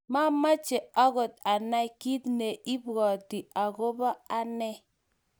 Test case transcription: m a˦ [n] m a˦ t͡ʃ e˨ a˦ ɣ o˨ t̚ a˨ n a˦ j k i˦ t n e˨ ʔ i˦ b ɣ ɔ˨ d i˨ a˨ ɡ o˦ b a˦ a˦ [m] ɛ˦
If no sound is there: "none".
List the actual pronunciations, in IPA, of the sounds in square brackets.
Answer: none, n

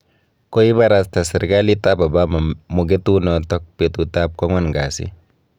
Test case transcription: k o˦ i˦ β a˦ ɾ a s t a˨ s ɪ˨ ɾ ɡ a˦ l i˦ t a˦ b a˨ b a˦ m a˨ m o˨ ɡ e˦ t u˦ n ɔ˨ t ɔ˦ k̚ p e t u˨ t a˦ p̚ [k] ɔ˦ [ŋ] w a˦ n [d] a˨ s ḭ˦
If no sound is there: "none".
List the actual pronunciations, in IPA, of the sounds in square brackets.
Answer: k, ŋ, ɡ

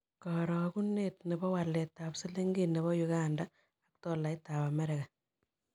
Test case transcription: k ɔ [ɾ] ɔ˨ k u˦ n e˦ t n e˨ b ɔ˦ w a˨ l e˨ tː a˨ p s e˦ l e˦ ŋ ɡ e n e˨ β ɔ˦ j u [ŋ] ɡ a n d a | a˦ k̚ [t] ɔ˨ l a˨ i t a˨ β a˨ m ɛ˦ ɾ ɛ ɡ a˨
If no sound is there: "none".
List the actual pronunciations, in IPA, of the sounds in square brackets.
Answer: ɾ, none, t

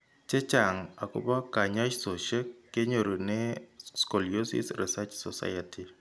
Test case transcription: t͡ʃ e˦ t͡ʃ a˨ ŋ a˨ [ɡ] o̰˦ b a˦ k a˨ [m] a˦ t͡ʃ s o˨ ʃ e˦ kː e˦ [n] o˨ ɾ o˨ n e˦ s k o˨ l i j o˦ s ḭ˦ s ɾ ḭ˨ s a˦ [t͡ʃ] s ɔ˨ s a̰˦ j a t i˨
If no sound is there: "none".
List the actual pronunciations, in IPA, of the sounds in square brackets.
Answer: k, ɲ, ɲ, t͡ʃ

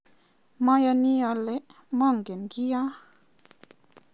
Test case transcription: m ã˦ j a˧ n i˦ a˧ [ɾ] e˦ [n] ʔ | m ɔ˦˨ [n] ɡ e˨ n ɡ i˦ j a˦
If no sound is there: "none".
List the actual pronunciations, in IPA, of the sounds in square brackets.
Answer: l, none, ŋ

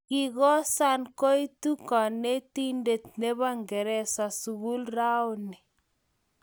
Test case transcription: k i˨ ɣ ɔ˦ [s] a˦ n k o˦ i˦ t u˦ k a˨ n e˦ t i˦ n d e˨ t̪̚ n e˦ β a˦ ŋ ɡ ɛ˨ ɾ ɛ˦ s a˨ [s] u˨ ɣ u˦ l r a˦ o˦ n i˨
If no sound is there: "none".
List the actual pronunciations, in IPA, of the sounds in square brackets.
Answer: s, s

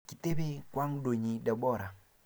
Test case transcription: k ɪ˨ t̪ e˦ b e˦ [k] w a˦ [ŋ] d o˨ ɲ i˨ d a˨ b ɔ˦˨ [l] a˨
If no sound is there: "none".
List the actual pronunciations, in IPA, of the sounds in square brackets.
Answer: k, ŋ, ɾ

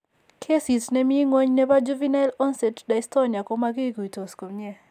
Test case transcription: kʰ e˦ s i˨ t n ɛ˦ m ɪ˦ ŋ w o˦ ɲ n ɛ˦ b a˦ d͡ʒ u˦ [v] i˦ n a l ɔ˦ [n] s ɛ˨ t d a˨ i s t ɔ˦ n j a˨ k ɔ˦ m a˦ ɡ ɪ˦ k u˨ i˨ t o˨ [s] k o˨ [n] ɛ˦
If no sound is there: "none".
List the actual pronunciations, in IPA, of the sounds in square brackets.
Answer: v, n, s, ɲ

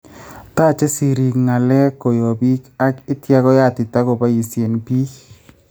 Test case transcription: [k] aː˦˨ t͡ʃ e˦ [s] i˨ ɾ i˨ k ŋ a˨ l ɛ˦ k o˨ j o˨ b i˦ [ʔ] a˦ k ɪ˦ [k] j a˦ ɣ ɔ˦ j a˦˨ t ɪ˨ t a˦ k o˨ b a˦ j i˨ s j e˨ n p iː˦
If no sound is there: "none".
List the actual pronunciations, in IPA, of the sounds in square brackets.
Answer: t, s, k, t

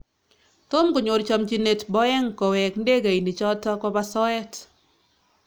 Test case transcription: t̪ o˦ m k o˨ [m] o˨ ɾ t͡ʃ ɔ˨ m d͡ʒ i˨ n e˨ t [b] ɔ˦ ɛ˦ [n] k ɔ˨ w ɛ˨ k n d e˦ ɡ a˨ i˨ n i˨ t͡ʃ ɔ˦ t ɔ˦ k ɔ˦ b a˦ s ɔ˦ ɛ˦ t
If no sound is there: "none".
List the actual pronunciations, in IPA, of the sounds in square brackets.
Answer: ɲ, b, ŋ

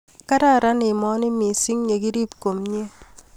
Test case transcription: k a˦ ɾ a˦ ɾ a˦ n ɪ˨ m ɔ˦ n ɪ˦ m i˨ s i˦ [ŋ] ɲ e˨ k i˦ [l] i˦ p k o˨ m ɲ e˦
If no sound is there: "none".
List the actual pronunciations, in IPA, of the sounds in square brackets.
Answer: ŋ, ɾ

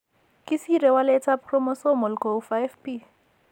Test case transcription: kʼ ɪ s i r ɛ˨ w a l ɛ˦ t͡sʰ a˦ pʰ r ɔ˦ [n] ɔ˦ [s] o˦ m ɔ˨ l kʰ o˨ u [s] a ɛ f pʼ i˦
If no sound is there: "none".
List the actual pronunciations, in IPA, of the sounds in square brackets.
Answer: m, s, f

